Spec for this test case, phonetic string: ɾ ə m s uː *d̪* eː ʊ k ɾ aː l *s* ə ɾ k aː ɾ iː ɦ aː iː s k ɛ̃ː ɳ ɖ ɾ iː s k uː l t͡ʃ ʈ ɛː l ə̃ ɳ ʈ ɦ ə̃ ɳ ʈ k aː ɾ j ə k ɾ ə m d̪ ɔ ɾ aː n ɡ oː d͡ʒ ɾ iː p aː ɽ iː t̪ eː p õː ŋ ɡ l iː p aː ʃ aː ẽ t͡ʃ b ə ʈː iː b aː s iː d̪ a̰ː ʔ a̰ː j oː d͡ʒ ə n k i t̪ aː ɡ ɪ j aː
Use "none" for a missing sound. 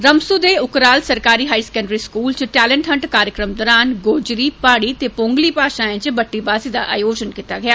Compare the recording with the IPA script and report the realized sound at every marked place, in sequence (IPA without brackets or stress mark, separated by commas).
d̪, s